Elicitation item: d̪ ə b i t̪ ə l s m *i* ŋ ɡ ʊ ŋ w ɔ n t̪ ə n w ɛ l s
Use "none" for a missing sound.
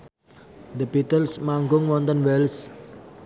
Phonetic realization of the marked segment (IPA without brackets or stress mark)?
a